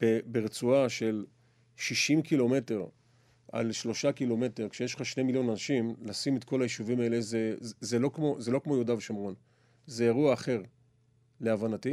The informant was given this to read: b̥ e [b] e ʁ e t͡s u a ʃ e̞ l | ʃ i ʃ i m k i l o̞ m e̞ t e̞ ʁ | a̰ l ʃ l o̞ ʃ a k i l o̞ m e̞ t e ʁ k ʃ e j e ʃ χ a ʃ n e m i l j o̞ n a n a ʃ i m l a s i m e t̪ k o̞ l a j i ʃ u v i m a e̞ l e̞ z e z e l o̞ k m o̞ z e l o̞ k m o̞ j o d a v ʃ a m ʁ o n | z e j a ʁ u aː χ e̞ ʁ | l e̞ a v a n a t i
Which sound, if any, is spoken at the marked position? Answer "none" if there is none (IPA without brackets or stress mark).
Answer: b